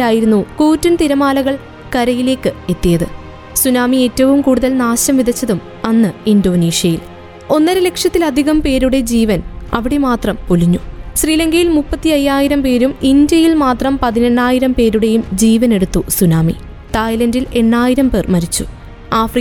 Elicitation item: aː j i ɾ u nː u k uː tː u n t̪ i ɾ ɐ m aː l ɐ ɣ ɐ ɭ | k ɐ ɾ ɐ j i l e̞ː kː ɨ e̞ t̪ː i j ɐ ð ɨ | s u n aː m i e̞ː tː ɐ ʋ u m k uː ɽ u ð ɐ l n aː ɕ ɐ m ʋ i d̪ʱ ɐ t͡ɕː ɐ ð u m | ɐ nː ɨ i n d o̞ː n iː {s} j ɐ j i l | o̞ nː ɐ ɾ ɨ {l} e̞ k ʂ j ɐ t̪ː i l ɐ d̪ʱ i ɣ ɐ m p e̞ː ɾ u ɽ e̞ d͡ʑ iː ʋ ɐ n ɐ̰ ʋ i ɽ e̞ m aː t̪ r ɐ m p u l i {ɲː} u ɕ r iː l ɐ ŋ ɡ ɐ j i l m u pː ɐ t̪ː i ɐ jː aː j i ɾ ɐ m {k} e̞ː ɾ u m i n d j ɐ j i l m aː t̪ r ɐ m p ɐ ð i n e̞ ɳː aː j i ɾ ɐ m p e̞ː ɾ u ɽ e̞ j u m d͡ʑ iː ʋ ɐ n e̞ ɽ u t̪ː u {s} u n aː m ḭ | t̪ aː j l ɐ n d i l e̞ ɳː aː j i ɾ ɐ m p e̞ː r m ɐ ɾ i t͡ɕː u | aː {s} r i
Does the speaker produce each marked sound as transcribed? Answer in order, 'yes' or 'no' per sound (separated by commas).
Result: no, yes, yes, no, yes, no